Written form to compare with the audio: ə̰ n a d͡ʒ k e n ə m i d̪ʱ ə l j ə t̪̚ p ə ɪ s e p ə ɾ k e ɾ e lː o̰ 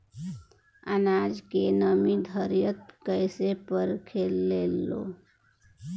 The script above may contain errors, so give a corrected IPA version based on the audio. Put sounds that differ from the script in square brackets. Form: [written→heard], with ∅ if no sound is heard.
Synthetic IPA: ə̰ n a d͡ʒ k e n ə m i d̪ʱ ə [l→ɾ] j ə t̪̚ [p→k] ə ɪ s e p ə ɾ [k→kʰ] e [ɾ→l] e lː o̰

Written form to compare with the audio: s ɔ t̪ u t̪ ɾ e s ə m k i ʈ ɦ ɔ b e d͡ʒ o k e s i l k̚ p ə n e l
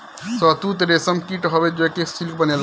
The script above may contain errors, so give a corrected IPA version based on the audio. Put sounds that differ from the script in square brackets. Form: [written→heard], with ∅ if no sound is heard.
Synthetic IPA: s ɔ t̪ u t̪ ɾ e s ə m k i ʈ ɦ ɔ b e d͡ʒ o k e s i l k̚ [p→b] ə n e l

